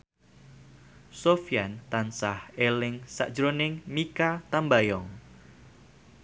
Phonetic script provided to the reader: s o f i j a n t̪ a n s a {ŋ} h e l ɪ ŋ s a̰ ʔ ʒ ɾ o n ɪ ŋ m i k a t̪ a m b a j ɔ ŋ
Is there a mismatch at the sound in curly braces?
yes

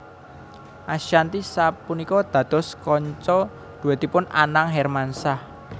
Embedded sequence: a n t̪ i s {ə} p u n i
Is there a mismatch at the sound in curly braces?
yes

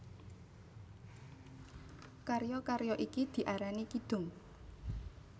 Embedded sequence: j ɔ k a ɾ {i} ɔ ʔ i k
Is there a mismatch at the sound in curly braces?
yes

